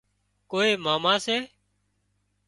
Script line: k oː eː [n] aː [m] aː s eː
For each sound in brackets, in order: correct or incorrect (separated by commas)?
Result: incorrect, correct